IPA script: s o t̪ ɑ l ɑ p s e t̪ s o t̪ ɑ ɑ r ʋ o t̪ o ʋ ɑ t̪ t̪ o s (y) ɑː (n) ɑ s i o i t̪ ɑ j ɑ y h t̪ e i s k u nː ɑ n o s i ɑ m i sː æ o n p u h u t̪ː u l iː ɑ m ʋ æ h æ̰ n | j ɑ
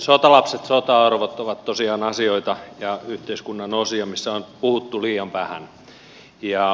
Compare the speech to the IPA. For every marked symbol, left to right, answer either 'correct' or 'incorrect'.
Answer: incorrect: i, correct

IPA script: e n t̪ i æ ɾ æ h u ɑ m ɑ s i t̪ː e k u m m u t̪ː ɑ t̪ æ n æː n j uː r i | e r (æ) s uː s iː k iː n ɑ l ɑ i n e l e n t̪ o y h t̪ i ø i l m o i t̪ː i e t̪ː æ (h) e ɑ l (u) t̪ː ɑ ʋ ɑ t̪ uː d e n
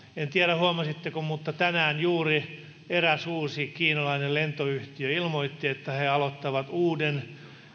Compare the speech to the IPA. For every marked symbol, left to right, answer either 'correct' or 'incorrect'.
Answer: correct, correct, incorrect: o

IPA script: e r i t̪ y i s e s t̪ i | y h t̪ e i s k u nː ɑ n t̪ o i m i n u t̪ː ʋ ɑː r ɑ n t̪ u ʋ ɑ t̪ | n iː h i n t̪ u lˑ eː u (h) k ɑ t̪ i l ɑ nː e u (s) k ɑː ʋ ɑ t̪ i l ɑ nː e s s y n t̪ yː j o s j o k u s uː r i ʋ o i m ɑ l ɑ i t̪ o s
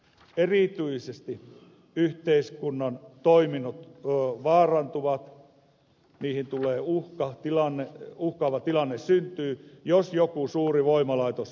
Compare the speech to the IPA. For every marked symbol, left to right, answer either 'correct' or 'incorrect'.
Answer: correct, incorrect: h

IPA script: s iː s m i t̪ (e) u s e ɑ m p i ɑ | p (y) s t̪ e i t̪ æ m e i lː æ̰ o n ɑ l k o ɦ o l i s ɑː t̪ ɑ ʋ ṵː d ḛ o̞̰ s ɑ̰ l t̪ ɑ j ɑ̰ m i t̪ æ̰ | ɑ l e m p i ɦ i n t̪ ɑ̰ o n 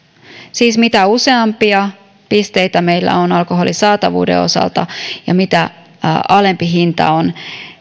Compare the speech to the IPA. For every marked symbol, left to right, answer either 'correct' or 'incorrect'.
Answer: incorrect: æ, incorrect: i

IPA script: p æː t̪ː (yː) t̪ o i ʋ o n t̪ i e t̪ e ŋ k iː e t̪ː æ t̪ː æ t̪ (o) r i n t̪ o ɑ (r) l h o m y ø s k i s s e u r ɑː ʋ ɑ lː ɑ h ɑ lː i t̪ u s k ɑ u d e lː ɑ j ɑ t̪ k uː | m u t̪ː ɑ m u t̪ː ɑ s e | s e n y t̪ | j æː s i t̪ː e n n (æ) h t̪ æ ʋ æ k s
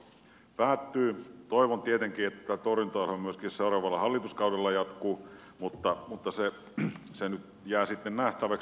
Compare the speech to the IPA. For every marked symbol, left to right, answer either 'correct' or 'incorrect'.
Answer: correct, correct, incorrect: none, correct

